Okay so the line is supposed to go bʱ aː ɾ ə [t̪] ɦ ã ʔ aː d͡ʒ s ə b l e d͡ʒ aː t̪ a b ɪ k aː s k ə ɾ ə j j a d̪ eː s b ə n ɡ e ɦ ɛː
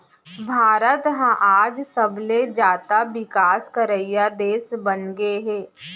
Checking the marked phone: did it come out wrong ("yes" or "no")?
no